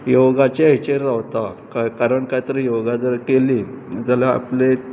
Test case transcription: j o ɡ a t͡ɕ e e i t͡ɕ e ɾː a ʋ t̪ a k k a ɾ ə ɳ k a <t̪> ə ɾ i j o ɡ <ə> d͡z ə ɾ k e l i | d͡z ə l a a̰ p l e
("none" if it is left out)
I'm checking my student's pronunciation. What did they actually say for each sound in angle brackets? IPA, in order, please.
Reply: t̪, a

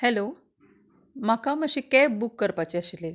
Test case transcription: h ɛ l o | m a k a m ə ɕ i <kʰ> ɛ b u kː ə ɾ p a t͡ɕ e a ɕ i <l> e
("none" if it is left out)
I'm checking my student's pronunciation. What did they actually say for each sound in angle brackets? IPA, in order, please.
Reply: k, l

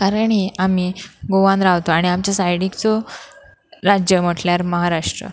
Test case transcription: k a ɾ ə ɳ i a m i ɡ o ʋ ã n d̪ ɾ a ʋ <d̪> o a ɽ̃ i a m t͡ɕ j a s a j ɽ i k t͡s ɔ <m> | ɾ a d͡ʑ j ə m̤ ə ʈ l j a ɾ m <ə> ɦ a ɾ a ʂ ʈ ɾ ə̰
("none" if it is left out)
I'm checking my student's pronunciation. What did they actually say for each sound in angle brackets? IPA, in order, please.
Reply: t̪, none, ə

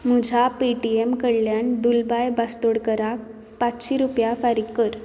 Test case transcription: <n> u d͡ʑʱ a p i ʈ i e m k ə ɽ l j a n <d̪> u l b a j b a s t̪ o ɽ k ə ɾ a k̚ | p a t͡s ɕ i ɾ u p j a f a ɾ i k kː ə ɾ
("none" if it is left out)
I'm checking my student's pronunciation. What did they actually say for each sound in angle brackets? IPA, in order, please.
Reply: m, d̪

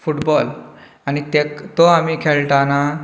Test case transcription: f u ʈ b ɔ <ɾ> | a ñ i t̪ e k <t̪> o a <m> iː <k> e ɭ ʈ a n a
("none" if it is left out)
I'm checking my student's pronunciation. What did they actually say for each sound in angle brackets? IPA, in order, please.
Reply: l, t̪, m, kʰ

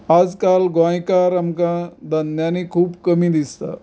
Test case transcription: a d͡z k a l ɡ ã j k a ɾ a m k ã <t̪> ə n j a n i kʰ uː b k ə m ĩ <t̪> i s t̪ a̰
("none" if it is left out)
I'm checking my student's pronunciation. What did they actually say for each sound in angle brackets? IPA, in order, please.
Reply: d̪, d̪

